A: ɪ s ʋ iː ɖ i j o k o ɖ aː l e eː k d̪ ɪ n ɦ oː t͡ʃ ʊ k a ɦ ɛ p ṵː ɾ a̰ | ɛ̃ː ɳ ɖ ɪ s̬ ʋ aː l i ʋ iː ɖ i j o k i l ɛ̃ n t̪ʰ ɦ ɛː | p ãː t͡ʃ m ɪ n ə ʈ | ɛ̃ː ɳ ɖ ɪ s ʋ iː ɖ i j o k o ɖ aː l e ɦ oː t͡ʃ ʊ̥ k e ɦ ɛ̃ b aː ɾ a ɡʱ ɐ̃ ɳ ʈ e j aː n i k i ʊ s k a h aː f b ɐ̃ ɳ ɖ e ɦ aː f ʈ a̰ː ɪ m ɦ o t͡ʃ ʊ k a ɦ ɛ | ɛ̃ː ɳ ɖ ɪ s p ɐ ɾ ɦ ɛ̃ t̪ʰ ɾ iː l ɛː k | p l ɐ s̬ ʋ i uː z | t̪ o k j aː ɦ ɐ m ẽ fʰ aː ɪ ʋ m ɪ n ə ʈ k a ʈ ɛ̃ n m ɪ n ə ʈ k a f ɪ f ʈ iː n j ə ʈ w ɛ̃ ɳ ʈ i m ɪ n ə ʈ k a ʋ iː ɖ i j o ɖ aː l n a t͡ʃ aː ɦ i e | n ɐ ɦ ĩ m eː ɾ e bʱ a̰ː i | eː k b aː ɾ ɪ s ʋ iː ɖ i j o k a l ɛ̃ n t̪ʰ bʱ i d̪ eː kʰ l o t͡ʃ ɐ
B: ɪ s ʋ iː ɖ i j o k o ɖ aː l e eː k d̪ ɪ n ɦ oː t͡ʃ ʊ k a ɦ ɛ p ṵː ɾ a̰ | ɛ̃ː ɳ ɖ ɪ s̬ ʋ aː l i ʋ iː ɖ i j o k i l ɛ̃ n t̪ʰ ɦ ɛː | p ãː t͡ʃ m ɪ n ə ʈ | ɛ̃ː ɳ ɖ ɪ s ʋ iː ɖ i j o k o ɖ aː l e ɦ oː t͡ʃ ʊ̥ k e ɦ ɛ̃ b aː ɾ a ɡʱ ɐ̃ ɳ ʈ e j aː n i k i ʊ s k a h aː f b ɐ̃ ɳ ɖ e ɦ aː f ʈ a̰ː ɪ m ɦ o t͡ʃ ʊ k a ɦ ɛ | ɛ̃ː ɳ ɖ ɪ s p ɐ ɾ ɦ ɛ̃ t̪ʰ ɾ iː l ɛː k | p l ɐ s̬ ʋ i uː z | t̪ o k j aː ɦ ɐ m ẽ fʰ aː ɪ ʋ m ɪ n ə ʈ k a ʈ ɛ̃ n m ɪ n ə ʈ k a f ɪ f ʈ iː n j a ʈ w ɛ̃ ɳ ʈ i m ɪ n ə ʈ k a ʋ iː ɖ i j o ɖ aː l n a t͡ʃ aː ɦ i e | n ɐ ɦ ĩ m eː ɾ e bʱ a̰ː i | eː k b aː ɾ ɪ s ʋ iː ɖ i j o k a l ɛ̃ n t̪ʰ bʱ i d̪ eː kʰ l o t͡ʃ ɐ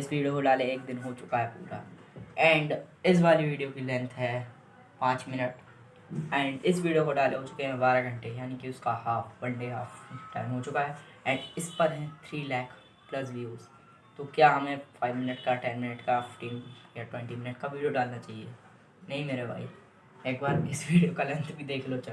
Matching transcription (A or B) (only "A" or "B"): B